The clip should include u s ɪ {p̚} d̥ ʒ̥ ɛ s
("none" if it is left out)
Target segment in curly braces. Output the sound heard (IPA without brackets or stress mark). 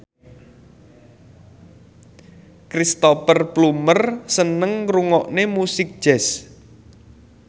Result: k̚